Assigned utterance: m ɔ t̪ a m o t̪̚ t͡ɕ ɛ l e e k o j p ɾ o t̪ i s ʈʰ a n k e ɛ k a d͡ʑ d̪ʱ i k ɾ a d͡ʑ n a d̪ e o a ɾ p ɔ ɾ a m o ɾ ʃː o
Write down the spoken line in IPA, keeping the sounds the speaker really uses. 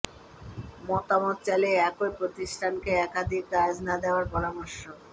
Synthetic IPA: m ɔ t̪ a m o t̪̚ t͡ɕ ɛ l e ɛ k o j p ɾ o t̪ i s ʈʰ a n k e ɛ k a d̪ʱ i k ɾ a d͡ʑ n a d̪ e o a ɾ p ɔ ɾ a m o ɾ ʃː o